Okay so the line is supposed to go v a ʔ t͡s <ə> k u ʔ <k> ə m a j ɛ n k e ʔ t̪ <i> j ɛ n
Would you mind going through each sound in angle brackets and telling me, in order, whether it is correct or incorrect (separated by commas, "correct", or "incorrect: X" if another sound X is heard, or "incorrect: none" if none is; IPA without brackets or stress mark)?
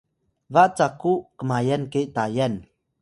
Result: incorrect: a, correct, incorrect: a